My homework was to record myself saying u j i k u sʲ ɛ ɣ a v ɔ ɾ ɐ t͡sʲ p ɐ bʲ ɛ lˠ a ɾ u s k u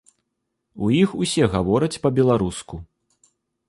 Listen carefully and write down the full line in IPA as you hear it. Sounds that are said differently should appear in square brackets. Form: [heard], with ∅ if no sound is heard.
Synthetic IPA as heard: u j i [x] u sʲ ɛ ɣ a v ɔ ɾ ɐ t͡sʲ p ɐ bʲ ɛ lˠ a ɾ u s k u